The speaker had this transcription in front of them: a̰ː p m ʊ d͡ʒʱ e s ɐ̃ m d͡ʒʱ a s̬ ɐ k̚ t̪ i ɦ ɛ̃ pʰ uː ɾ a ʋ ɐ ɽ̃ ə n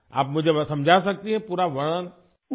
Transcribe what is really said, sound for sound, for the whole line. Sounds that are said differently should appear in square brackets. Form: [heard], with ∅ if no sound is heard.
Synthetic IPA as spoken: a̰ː p m ʊ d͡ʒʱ e s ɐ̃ m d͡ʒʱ a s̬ ɐ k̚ t̪ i ɦ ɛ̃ [p] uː ɾ a ʋ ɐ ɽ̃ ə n